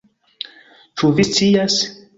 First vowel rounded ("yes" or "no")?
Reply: yes